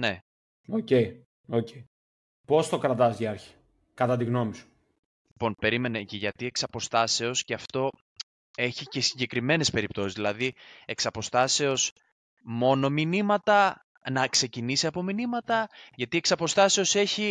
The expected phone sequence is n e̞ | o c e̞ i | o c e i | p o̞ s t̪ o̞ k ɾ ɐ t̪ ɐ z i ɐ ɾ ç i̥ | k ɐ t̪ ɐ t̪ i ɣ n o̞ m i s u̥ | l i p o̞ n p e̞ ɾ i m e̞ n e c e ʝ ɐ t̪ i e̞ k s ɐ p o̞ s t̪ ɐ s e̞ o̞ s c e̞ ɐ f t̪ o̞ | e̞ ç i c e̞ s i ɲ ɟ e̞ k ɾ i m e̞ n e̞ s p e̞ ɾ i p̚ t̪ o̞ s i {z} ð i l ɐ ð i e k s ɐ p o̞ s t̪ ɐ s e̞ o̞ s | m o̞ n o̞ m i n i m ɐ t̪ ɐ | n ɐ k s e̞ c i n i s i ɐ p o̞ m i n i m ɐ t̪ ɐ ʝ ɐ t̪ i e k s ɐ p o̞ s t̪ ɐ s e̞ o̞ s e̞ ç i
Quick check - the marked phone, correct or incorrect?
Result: correct